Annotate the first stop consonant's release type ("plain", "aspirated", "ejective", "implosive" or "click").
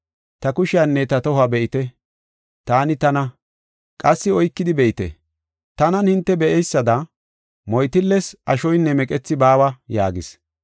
plain